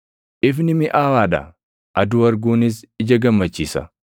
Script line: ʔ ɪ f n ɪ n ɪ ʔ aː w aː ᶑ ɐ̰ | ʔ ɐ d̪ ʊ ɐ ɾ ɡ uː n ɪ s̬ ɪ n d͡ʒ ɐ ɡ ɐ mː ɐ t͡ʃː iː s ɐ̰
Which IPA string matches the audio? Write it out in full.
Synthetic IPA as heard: ʔ ɪ f n ɪ m ɪ ʔ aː w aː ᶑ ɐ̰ | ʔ ɐ d̪ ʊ ɐ ɾ ɡ uː n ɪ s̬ ɪ d͡ʒ ɐ ɡ ɐ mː ɐ t͡ʃː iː s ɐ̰